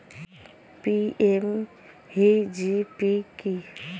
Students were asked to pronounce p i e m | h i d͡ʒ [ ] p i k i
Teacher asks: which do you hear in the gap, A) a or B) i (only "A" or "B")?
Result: B